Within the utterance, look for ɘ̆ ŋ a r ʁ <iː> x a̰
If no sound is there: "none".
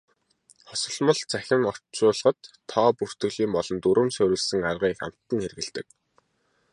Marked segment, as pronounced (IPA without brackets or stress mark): iː